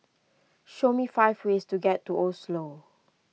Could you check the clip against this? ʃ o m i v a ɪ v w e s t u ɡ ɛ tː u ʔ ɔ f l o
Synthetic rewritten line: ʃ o m i f a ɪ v w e s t u ɡ ɛ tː u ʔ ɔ s l o